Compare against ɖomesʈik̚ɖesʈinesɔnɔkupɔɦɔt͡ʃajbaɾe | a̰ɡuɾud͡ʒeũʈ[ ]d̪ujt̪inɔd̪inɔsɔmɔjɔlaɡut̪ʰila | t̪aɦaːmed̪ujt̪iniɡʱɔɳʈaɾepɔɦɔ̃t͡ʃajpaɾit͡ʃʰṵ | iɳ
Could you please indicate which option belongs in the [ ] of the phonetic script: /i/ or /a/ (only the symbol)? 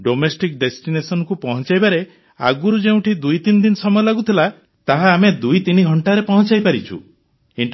i